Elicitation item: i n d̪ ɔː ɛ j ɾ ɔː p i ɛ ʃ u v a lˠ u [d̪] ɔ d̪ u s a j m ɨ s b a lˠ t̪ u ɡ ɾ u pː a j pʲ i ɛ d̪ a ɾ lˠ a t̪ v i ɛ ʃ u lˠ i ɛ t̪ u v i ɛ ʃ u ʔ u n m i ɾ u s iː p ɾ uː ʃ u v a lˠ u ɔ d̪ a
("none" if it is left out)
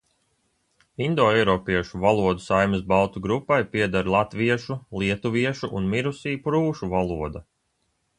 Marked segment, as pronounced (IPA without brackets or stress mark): none